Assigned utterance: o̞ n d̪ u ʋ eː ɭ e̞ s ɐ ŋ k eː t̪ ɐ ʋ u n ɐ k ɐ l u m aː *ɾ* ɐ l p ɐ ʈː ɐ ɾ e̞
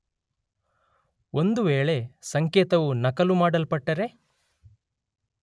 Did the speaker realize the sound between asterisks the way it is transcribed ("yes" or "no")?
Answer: no